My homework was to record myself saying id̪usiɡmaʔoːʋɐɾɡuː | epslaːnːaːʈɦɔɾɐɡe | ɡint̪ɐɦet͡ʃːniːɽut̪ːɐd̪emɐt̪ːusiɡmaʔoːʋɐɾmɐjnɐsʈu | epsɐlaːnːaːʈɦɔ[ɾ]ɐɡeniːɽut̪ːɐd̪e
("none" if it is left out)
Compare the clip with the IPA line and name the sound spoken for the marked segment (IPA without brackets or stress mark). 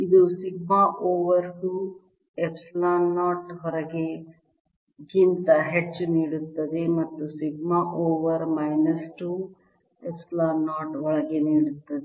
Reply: ɭ